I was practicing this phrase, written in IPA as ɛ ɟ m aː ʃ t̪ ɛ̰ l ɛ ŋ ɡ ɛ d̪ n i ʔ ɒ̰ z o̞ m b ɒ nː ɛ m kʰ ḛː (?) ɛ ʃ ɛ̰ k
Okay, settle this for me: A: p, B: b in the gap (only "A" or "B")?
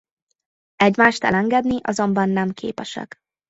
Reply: A